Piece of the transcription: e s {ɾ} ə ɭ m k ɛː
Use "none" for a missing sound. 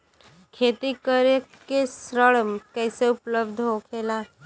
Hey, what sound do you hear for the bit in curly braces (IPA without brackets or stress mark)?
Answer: ɾ